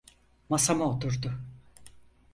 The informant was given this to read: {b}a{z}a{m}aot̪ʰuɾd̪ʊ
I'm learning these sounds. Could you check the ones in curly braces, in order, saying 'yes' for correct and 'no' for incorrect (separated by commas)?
no, no, yes